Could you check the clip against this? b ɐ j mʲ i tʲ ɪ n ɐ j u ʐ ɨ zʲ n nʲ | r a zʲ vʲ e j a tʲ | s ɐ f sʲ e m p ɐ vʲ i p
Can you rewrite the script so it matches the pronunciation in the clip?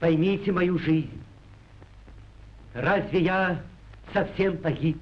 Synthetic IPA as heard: p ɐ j mʲ i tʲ ɪ m ɐ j u ʐ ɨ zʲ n nʲ | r a zʲ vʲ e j a | s ɐ f sʲ e m p ɐ ɣʲ i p